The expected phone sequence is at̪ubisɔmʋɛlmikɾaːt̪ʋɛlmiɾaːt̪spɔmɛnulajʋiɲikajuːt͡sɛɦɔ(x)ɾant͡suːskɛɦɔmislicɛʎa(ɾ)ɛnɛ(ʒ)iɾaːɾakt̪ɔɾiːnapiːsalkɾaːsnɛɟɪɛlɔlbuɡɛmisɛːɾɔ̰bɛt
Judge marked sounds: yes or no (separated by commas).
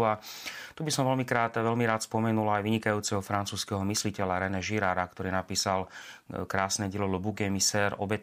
no, yes, yes